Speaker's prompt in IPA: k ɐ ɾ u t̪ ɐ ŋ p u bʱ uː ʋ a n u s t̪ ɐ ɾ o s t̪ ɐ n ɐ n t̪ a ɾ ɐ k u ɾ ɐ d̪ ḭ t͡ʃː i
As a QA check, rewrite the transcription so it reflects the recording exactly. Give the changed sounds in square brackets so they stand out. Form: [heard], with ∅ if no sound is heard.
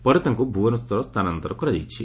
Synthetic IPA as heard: [p] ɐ ɾ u t̪ ɐ ŋ [k] u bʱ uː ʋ [ɐ] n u s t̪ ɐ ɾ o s t̪ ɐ n ɐ n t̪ [ɐ] ɾ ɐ k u ɾ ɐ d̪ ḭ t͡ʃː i